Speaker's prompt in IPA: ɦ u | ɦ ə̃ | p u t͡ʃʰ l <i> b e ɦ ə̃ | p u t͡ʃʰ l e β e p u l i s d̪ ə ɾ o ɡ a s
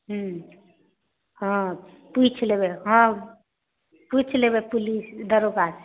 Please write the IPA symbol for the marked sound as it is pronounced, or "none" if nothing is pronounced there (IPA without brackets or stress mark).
e